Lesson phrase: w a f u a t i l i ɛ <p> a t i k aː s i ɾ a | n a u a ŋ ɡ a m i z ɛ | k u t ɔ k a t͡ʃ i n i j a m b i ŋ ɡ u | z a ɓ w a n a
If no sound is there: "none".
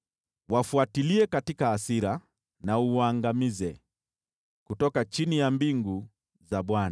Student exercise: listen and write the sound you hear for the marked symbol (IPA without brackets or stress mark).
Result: k